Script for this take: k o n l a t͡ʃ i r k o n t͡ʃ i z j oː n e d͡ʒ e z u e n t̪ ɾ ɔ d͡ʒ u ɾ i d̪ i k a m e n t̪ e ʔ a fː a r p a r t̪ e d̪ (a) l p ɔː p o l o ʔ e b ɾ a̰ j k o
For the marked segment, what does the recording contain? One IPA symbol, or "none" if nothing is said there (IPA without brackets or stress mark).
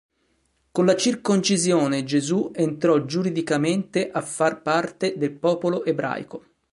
e